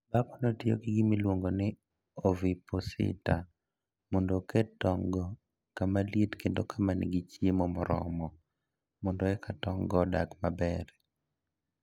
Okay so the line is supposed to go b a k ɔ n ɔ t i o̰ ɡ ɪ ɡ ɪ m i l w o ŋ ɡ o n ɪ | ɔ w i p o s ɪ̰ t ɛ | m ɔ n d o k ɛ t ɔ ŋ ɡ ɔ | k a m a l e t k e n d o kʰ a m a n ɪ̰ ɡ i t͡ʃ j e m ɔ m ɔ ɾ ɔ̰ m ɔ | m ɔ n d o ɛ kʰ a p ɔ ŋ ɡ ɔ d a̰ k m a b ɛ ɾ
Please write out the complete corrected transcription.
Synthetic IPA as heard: b a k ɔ n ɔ t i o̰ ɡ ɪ ɡ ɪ m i l w o ŋ ɡ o n ɪ | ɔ v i p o s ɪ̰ t a | m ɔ n d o k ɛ t ɔ ŋ ɡ ɔ | k a m a l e t k e n d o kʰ a m a n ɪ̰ ɡ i t͡ʃ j e m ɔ m ɔ ɾ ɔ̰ m ɔ | m ɔ n d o ɛ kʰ a t ɔ ŋ ɡ ɔ d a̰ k m a b ɛ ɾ